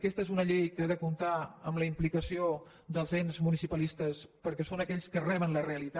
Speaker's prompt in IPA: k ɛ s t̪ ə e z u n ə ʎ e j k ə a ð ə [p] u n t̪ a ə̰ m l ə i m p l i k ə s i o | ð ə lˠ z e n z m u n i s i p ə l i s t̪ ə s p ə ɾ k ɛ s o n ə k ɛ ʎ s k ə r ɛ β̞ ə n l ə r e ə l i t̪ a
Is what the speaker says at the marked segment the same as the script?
no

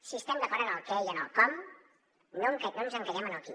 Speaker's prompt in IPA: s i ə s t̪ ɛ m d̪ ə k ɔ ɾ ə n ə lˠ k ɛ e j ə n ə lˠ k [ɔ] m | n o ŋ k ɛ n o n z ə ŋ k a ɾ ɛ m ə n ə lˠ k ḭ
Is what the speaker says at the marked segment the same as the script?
yes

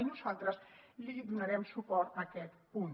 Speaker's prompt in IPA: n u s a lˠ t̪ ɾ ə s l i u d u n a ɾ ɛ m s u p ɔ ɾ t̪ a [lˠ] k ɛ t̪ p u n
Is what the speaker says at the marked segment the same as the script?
no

